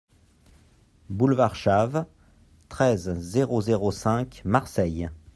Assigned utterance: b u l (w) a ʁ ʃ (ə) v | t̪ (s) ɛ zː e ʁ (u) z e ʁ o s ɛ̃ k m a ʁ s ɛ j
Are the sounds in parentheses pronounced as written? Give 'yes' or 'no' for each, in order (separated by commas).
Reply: no, no, no, no